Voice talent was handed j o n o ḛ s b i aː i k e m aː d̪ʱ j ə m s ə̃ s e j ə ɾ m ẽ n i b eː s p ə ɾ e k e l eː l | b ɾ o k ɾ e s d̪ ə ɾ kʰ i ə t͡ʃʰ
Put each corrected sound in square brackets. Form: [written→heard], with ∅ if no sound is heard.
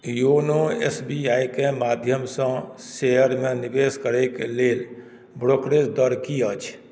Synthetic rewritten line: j o n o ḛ s b i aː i k e m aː d̪ʱ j ə m s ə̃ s e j ə ɾ m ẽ n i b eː s [p→k] ə ɾ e k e l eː l | b ɾ o k ɾ e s d̪ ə ɾ [kʰ→k] i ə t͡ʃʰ